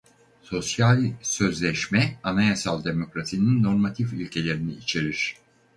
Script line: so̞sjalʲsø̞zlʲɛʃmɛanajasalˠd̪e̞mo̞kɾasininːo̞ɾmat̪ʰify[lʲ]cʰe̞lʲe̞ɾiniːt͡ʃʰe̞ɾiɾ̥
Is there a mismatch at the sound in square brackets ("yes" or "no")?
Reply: no